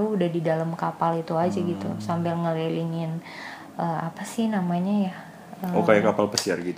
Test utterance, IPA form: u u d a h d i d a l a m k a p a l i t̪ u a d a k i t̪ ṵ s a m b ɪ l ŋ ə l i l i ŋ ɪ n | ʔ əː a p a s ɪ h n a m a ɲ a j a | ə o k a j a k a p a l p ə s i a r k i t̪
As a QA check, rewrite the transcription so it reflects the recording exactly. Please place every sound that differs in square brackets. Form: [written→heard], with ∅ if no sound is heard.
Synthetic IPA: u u d a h d i d a l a m k a p a l i t̪ u a [d→d͡ʒ] a [k→ɡ] i t̪ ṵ s a m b ɪ l ŋ ə l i l i ŋ ɪ n | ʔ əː a p a s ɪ h n a m a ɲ a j a | ə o k a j a k a p a l p ə s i a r [k→ɡ] i t̪